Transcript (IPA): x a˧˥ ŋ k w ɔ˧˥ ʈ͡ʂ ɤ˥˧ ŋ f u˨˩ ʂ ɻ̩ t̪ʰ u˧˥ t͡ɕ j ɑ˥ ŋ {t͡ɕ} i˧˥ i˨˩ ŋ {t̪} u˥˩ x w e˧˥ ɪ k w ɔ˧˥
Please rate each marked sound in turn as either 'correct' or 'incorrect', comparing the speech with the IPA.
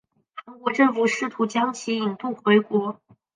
incorrect, correct

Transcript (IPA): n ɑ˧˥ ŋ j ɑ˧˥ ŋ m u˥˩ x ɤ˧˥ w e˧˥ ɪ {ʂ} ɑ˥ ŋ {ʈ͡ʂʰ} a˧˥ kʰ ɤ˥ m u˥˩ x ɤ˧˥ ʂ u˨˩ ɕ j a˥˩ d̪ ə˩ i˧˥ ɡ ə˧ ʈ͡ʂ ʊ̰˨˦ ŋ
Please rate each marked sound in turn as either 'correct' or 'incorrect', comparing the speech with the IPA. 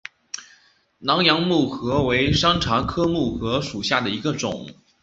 correct, correct

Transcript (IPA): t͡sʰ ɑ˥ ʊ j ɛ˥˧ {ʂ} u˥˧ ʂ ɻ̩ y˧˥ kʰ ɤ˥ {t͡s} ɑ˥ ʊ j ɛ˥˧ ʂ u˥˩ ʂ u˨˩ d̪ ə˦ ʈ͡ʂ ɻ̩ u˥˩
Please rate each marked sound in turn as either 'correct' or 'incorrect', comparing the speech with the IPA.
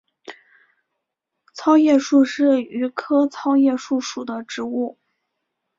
correct, incorrect

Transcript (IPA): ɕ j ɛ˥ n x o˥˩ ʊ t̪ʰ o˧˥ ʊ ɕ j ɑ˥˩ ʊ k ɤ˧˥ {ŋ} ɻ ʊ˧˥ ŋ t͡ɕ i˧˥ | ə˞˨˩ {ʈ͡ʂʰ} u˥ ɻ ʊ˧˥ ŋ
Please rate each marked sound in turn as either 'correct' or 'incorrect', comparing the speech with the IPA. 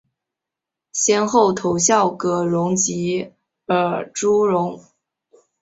incorrect, incorrect

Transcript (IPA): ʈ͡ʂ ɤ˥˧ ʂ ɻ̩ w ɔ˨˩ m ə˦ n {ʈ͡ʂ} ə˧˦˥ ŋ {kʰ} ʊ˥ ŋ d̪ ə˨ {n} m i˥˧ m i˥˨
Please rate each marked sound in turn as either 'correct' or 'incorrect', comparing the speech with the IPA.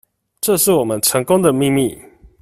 incorrect, incorrect, incorrect

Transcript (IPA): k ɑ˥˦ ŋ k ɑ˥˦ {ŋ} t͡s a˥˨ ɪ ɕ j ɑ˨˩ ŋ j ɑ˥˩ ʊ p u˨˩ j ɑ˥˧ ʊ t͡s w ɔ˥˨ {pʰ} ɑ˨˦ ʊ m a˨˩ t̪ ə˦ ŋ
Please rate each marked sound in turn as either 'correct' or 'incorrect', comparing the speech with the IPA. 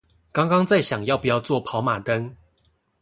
correct, correct

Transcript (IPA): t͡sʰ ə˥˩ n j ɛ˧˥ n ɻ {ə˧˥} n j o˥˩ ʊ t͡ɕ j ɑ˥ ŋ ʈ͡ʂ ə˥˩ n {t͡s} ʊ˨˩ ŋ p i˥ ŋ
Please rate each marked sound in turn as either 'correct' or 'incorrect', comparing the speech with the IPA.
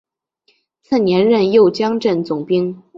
incorrect, correct

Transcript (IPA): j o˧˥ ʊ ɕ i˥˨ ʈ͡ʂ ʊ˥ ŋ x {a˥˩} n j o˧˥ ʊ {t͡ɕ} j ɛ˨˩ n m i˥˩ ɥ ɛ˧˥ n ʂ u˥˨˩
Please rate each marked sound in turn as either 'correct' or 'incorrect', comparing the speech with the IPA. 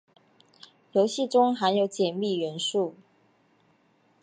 incorrect, correct

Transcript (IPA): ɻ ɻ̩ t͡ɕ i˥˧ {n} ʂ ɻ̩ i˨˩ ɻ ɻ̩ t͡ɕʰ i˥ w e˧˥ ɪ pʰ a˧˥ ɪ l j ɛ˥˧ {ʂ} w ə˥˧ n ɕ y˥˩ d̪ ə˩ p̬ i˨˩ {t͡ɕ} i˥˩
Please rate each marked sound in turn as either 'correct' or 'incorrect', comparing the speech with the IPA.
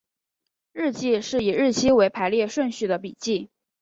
incorrect, correct, correct

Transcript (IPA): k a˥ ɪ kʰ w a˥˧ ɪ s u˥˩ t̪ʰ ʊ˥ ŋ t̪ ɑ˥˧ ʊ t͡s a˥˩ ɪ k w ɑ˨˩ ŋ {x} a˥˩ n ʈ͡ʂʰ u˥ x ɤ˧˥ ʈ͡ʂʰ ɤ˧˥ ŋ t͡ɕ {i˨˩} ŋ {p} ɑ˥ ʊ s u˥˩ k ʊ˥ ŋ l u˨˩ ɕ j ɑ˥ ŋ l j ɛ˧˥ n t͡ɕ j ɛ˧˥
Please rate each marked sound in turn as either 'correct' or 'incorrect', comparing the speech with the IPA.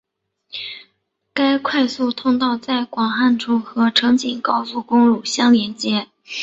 correct, correct, incorrect

